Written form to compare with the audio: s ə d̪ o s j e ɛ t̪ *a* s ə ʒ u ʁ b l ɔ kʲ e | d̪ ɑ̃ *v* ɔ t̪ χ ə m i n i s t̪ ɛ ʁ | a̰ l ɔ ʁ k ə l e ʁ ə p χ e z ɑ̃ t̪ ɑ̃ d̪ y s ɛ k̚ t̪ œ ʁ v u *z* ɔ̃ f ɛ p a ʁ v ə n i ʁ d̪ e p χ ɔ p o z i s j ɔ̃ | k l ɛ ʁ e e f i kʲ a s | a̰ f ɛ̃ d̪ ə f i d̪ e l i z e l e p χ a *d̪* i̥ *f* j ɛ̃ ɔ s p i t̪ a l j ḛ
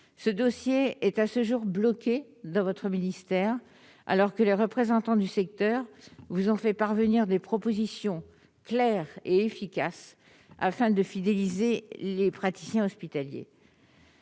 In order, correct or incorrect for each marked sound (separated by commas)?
correct, correct, correct, incorrect, incorrect